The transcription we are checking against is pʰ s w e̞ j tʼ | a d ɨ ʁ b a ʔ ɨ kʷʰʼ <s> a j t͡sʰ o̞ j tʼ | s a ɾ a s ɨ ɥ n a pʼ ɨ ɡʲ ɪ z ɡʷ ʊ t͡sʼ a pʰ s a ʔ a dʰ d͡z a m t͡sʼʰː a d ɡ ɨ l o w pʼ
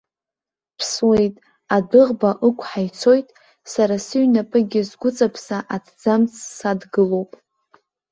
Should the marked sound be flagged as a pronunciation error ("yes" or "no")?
yes